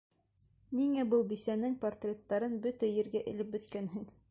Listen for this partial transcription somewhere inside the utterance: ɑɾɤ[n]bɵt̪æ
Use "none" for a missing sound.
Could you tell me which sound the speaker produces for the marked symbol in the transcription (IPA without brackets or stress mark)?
n